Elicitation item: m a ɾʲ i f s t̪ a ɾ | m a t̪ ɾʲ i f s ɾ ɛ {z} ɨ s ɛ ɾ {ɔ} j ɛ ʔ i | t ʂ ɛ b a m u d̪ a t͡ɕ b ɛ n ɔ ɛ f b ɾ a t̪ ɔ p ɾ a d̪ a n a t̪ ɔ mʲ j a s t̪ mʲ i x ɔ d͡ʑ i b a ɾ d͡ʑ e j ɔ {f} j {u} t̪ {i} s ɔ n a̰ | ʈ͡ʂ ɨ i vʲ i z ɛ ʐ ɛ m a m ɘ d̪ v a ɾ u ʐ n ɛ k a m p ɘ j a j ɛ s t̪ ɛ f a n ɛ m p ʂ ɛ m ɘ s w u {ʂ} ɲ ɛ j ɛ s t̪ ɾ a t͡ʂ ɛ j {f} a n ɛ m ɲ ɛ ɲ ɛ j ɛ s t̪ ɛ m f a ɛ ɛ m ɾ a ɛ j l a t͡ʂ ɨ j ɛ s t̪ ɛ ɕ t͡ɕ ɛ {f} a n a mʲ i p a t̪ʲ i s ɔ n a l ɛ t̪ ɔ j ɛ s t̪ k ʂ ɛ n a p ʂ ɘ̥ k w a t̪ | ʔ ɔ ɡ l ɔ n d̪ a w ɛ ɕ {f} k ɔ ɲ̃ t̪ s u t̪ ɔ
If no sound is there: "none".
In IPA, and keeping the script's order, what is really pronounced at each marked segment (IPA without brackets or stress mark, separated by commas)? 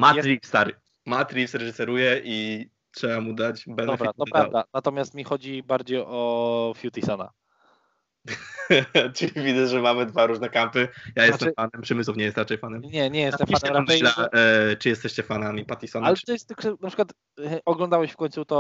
ʐ, u, f, u, i, f, f, f, f